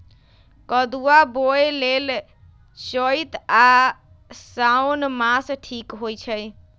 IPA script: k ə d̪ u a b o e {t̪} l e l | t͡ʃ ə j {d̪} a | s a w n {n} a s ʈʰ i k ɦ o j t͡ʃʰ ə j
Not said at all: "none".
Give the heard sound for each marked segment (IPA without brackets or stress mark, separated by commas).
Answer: none, t̪, m